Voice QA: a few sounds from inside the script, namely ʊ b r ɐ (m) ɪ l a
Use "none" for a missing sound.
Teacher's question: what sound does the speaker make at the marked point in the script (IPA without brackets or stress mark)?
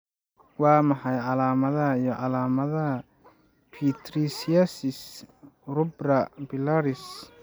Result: b